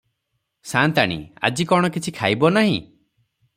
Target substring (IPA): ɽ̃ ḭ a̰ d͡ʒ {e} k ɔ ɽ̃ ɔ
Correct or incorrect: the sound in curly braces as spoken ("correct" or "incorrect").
incorrect